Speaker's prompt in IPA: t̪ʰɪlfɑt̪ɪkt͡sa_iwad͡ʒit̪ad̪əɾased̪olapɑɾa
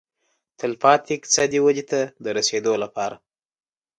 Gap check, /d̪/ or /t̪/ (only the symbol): d̪